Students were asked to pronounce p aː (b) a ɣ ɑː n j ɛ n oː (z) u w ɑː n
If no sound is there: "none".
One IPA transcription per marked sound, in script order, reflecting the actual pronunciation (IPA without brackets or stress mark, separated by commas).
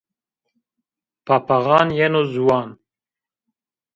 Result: p, z